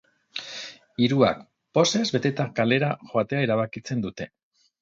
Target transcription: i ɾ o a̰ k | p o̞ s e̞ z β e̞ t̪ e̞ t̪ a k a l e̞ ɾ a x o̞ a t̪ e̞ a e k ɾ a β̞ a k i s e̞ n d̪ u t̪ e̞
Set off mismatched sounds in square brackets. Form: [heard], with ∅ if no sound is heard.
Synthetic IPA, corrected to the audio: i ɾ [u] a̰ k | p o̞ s e̞ z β e̞ t̪ e̞ t̪ a k a l e̞ ɾ a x o̞ a t̪ e̞ a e [∅] ɾ a β̞ a k i [t͡s] e̞ n d̪ u t̪ e̞